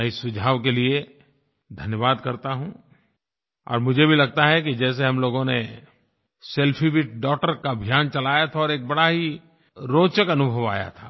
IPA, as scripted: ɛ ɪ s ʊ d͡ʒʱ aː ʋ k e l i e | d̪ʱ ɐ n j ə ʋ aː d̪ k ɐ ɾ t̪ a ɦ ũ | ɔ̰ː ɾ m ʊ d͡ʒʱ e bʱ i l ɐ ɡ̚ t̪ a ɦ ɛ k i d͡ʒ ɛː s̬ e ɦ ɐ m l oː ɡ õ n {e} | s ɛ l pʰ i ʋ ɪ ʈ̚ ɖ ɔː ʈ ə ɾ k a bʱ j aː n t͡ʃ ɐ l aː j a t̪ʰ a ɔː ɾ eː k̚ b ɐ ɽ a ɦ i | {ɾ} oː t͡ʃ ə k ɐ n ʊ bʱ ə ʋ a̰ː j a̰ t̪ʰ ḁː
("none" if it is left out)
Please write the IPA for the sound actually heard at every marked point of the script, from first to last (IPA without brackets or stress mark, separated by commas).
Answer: e, ɾ